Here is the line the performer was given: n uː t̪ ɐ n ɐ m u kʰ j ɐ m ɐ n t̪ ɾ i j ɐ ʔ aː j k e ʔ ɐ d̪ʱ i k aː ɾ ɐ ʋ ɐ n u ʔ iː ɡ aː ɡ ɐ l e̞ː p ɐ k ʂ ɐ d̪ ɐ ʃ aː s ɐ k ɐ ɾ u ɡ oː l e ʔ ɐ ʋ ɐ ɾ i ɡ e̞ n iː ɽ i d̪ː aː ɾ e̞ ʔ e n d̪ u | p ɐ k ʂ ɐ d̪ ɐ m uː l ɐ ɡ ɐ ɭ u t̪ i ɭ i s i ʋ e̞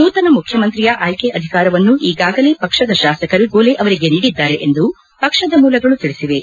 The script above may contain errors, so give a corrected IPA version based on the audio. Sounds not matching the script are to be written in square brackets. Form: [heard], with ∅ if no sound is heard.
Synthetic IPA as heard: n uː t̪ ɐ n ɐ m u kʰ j ɐ m ɐ n t̪ ɾ i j ɐ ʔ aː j k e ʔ ɐ d̪ʱ i k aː ɾ ɐ ʋ ɐ [nː] u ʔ iː ɡ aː ɡ ɐ l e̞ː p ɐ k ʂ ɐ d̪ ɐ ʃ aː s ɐ k ɐ ɾ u ɡ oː l e ʔ ɐ ʋ ɐ ɾ i ɡ e̞ n iː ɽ i d̪ː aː ɾ e̞ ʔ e n d̪ u | p ɐ k ʂ ɐ d̪ ɐ m uː l ɐ ɡ ɐ ɭ u t̪ i ɭ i s i ʋ e̞